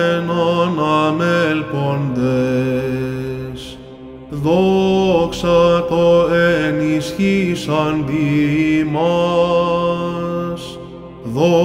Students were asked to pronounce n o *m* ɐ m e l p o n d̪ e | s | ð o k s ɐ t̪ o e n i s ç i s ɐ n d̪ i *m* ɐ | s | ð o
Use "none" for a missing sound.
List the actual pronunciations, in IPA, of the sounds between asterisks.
n, m

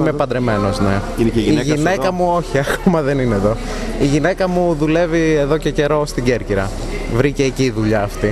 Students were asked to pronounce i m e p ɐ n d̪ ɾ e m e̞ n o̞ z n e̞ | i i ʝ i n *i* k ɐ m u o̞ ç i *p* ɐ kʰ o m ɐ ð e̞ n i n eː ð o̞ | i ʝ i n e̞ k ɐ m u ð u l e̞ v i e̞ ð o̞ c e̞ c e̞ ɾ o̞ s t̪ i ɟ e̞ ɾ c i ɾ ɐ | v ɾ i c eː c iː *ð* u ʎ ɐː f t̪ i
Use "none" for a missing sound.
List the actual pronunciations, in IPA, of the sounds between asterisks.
e, none, ð

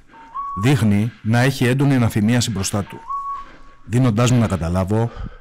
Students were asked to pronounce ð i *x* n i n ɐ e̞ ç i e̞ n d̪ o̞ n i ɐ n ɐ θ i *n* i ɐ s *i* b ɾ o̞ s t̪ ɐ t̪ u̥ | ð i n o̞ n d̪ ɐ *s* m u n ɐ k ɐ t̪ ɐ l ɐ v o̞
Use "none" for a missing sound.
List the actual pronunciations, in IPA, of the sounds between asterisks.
x, m, i, z

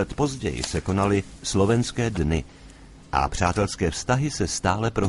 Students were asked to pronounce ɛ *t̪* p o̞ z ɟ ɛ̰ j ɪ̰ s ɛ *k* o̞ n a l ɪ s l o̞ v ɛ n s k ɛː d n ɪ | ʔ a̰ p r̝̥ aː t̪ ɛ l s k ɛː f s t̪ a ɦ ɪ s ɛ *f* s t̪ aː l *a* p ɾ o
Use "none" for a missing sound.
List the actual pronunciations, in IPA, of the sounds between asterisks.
t̪, k, none, ɛ

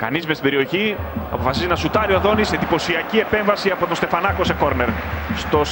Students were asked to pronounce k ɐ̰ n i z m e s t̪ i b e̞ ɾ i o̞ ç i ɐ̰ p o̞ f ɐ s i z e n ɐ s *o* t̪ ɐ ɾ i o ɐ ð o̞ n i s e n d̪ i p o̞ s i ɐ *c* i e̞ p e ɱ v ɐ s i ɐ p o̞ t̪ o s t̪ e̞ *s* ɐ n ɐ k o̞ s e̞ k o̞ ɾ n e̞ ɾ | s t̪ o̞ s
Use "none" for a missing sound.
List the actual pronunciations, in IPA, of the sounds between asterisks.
u, c, f

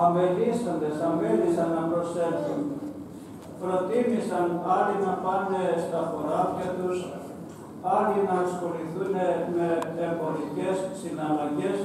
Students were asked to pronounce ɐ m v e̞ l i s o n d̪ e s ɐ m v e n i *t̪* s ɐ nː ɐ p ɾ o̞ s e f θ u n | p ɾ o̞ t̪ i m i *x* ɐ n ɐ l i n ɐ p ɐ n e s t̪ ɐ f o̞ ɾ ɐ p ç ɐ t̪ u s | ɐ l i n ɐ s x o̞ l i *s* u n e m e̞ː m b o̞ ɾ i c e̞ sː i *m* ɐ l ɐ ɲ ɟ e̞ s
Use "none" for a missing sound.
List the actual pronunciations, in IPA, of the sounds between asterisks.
none, s, θ, n

